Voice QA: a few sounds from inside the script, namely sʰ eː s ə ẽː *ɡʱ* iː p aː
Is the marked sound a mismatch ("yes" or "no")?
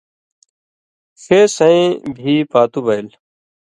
yes